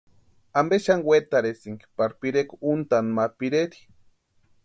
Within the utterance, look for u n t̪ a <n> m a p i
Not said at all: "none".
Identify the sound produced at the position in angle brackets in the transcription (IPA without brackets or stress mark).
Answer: n